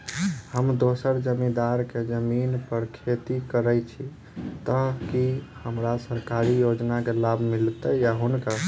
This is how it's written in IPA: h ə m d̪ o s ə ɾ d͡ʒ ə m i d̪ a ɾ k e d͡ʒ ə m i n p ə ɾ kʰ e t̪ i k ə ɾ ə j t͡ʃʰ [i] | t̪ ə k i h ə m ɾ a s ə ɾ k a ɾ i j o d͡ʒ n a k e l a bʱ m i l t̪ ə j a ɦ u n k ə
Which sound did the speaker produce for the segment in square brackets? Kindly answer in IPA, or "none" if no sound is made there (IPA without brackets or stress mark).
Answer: i